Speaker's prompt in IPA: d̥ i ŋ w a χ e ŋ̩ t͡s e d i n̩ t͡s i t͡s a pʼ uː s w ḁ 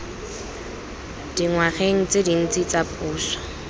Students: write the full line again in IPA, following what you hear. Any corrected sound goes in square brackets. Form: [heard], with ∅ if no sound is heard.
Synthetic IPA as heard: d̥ i ŋ w a χ e ŋ̩ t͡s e d i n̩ t͡s i t͡s a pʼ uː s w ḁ